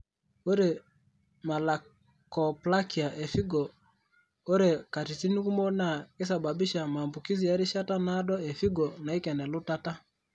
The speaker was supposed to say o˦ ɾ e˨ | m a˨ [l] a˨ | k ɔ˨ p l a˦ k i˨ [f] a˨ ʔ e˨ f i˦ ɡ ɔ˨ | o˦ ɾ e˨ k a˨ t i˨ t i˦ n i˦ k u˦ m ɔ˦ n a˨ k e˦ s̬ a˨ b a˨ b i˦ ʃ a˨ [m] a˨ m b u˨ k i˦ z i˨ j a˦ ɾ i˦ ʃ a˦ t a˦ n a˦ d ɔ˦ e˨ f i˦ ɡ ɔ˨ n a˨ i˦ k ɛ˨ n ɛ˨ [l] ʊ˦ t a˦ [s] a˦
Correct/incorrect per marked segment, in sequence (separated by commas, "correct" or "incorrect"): correct, incorrect, correct, correct, incorrect